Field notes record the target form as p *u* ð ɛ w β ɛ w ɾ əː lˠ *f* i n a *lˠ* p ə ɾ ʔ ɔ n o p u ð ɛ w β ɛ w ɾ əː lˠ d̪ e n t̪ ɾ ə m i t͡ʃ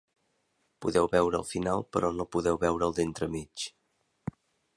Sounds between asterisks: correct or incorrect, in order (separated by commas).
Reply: correct, correct, correct